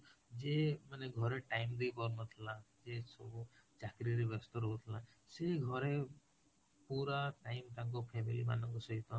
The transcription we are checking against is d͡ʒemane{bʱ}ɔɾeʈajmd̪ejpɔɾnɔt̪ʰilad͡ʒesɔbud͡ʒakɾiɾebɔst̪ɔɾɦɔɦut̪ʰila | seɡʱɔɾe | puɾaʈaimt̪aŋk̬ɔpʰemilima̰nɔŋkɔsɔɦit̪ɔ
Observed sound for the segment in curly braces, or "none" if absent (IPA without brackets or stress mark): ɡʱ